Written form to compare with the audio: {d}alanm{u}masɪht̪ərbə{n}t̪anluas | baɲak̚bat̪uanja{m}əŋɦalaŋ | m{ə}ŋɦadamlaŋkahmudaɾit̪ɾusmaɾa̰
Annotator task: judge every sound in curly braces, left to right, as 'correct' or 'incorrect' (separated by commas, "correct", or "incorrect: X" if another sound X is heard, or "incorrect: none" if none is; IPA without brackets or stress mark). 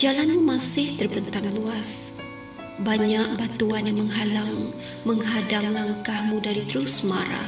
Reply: incorrect: d͡ʒ, correct, correct, correct, correct